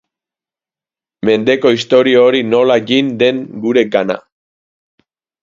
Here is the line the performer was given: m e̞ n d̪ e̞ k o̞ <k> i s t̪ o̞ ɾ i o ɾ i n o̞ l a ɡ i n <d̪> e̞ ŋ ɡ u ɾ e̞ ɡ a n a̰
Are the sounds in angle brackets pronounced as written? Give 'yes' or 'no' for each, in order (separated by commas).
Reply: no, yes